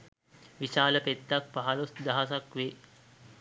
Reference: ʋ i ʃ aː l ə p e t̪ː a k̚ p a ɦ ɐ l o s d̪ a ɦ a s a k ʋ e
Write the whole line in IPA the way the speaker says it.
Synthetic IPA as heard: ʋ i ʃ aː l ə p e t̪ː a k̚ p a ɦ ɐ l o s d̪ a ɦ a s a k ʋ e